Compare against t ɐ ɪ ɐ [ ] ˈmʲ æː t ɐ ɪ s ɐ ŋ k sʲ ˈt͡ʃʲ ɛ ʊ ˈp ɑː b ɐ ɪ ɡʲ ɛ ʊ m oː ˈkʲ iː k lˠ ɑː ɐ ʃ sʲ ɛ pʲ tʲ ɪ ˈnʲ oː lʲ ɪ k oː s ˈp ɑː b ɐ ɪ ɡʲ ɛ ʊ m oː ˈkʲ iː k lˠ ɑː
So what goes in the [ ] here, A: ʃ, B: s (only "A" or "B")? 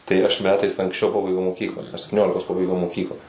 A